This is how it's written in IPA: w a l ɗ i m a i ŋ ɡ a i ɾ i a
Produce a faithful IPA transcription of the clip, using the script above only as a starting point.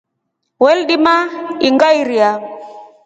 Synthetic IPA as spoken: w ɛ l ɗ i m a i ŋ ɡ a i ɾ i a